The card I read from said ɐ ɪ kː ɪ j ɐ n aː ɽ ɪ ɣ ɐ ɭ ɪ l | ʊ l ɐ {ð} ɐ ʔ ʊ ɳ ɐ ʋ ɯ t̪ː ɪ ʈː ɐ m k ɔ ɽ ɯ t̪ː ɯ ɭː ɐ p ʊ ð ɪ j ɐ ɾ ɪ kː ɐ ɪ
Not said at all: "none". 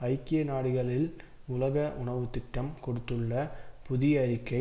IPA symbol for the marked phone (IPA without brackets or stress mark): ɣ